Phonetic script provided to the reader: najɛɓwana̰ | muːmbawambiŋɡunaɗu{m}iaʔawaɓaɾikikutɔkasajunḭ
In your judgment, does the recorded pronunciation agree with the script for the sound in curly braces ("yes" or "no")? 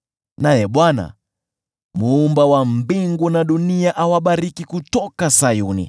no